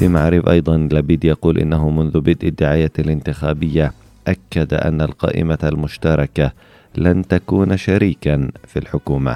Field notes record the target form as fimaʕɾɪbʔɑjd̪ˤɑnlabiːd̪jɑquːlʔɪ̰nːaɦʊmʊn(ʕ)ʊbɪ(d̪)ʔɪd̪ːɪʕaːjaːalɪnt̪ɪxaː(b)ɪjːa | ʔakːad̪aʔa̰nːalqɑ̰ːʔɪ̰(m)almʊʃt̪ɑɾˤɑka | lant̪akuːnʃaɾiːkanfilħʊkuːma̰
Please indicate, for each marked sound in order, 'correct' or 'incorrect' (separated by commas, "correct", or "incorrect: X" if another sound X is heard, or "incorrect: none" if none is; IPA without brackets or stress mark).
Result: incorrect: ð, correct, correct, correct